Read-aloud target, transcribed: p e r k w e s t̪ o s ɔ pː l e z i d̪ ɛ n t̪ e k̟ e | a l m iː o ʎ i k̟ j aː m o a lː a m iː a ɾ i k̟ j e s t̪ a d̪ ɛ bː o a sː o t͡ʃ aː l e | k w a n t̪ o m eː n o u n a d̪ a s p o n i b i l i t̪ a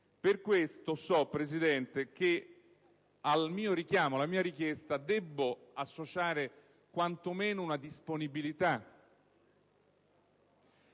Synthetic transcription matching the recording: p e r k w e s t̪ o s ɔ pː ɾ e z i d̪ ɛ n t̪ e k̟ e | a l m iː o ɾ i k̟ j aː m o a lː a m iː a ɾ i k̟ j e s t̪ a d̪ ɛ bː o a sː o t͡ʃ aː ɾ e | k w a n t̪ o m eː n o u n a d̪ i s p o n i b i l i t̪ a